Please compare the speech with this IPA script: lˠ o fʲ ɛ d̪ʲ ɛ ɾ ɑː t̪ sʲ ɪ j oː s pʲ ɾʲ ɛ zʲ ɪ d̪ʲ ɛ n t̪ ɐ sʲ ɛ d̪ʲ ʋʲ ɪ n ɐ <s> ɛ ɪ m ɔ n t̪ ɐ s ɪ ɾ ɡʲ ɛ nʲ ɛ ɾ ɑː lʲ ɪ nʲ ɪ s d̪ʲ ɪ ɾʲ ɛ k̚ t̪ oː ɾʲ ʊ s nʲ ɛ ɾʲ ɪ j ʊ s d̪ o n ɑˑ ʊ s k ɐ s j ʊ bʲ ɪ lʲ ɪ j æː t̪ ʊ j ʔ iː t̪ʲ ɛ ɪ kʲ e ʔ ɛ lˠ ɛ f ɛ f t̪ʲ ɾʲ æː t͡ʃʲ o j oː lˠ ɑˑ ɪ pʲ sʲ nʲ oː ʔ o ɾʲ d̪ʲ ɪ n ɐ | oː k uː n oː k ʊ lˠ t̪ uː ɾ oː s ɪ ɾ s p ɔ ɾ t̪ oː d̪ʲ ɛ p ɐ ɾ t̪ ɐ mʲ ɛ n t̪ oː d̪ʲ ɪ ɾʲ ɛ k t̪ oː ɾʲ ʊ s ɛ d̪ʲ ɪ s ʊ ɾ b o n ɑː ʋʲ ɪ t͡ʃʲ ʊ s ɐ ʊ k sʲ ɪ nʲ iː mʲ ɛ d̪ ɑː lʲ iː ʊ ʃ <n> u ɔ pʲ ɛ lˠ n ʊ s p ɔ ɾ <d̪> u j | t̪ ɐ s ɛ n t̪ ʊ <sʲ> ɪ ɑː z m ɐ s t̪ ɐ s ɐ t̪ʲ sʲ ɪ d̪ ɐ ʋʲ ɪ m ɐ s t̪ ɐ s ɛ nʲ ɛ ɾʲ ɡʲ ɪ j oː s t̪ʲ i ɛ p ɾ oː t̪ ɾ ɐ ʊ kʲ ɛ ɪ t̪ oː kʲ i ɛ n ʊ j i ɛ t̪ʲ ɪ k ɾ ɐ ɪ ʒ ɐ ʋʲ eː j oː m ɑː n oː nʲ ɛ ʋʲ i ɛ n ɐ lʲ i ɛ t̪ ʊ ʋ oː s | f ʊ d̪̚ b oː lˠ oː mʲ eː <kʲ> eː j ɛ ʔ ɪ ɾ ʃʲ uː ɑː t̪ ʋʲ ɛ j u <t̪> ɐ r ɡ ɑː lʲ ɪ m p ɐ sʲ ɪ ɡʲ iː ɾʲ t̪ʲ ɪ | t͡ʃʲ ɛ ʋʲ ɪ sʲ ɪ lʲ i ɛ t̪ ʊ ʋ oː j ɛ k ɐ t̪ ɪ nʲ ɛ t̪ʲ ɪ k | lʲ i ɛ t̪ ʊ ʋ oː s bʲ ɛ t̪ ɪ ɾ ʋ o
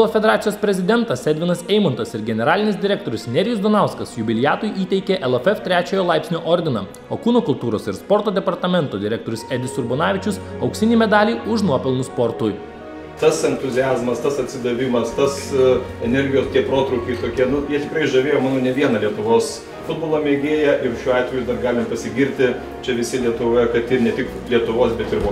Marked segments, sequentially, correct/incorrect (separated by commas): correct, correct, incorrect, incorrect, incorrect, incorrect